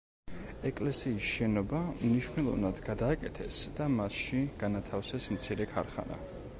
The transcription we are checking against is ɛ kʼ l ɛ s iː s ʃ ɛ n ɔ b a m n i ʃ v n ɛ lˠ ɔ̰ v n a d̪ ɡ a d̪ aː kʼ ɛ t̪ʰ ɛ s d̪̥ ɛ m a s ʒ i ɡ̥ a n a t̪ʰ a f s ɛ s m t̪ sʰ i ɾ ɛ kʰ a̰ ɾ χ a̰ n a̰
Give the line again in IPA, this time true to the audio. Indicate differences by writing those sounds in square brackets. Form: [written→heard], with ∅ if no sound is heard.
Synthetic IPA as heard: ɛ kʼ l ɛ s iː s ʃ ɛ n ɔ b a m n i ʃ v n ɛ lˠ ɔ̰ v n a d̪ ɡ a d̪ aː kʼ ɛ t̪ʰ ɛ s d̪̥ [ɛ→a] m a s [ʒ→ʃ] i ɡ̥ a n a t̪ʰ a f s ɛ s m t̪ sʰ i ɾ ɛ kʰ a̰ ɾ χ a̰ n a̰

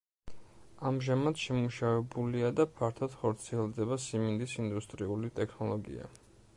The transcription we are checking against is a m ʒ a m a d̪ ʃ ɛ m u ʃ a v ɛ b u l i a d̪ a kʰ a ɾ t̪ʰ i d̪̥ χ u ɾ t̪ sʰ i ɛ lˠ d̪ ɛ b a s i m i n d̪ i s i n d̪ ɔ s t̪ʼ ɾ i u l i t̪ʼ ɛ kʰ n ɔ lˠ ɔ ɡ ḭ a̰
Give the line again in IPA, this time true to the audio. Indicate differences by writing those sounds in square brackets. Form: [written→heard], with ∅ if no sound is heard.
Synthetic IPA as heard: a m ʒ a m a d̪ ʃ ɛ m u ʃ a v ɛ b u l i a d̪ a [kʰ→pʰ] a ɾ t̪ʰ [i→a] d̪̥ χ [u→ɔ] ɾ t̪ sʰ i ɛ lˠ d̪ ɛ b a s i m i n d̪ i s i n d̪ [ɔ→u] s t̪ʼ ɾ i u l i t̪ʼ ɛ kʰ n ɔ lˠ ɔ ɡ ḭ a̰

